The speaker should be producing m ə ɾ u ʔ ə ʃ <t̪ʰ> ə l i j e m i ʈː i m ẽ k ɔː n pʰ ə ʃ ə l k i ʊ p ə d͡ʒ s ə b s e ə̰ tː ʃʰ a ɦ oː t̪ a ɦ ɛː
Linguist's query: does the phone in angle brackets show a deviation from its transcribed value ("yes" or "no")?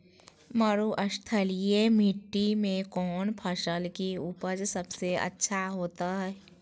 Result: no